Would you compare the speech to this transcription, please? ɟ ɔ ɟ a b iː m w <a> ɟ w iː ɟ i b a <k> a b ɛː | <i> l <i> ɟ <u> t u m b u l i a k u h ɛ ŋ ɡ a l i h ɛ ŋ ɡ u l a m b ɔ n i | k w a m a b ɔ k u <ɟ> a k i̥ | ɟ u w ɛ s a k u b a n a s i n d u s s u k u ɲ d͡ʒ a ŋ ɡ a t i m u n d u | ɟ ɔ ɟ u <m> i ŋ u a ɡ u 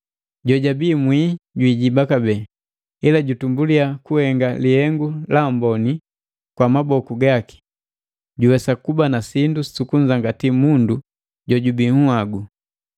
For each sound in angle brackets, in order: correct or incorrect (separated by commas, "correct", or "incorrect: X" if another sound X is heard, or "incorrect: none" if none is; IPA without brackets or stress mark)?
incorrect: i, correct, correct, incorrect: a, correct, incorrect: ɡ, incorrect: b